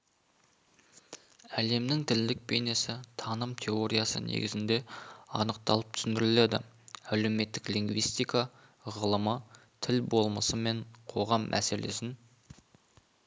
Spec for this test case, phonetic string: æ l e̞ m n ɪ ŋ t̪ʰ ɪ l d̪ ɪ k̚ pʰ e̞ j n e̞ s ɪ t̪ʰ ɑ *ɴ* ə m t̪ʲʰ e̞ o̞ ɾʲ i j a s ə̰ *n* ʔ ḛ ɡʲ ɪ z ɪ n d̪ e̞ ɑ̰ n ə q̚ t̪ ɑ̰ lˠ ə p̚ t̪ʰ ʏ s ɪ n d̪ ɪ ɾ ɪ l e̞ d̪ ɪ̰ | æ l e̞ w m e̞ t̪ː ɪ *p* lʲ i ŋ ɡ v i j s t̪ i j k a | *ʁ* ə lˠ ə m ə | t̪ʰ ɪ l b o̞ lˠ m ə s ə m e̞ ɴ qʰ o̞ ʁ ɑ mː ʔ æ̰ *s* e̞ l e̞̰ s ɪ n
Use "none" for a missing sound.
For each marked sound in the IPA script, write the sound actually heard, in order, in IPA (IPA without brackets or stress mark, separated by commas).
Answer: n, n, k, ʁ, s